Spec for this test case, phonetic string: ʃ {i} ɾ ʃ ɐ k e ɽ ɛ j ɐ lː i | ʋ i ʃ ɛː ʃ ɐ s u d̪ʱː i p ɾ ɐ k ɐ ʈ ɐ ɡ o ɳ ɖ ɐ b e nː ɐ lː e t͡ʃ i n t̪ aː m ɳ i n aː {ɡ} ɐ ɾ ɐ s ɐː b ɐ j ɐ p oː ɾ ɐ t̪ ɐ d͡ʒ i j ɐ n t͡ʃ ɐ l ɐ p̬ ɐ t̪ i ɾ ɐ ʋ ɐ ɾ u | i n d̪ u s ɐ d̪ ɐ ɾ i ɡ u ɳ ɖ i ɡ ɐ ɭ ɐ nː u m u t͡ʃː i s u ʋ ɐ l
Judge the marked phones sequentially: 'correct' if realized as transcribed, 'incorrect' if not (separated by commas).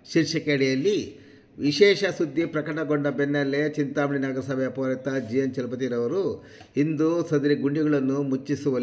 correct, correct